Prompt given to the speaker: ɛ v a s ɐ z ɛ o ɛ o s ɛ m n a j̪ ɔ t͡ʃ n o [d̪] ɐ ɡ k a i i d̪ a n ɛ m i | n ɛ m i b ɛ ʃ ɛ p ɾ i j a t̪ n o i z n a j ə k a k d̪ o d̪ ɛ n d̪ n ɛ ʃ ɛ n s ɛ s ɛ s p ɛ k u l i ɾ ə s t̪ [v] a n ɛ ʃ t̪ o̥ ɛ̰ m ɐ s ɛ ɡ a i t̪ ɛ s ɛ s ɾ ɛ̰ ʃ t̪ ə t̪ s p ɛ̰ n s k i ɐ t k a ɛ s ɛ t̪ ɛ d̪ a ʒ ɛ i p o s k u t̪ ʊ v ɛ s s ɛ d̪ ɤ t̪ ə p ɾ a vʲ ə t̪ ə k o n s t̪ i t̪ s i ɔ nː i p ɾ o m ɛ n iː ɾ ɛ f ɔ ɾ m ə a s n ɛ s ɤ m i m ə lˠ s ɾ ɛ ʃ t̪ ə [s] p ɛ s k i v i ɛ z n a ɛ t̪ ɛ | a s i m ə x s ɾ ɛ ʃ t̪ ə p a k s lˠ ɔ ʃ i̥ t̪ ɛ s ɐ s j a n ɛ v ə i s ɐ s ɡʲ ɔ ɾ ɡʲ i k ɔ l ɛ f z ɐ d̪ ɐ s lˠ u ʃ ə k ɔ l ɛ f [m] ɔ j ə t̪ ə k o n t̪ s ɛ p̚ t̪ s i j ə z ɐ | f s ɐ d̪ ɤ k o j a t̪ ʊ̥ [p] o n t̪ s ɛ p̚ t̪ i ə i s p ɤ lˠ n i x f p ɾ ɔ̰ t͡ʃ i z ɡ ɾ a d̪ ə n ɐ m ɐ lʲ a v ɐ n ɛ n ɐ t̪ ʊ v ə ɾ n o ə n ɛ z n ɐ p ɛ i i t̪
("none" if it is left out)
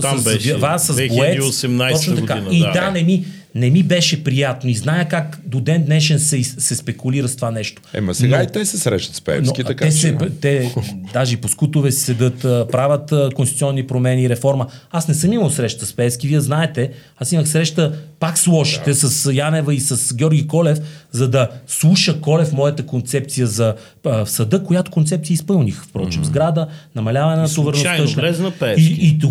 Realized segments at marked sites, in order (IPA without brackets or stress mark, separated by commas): t̪, v, s, m, k